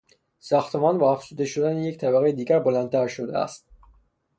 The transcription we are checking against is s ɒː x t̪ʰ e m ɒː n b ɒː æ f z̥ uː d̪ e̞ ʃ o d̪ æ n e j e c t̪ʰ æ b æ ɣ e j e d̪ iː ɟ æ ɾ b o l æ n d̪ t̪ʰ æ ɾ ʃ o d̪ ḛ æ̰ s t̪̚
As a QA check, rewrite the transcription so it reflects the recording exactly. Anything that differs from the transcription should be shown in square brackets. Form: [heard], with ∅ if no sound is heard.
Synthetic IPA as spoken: s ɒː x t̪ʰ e m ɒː n b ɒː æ f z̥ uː d̪ e̞ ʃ o d̪ æ n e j e c t̪ʰ æ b æ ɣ e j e d̪ iː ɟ æ ɾ b o l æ n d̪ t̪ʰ æ ɾ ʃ o d̪ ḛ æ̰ s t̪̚